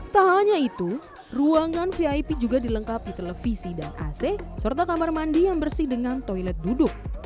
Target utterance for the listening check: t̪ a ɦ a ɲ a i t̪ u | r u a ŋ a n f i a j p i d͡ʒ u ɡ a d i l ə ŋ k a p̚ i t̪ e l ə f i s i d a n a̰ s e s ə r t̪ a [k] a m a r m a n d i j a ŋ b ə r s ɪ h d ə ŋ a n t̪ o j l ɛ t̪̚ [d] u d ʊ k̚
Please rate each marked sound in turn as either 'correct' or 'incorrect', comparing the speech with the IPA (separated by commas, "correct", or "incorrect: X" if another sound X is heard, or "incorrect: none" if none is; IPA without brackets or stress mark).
correct, correct